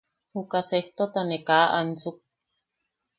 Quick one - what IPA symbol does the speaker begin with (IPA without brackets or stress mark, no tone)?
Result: h